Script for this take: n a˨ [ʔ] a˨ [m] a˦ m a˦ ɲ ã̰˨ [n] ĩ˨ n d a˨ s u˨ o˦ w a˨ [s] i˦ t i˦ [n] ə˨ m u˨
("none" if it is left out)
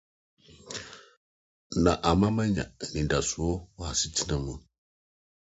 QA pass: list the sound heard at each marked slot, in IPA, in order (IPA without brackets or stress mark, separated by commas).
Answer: ʔ, m, n, s, n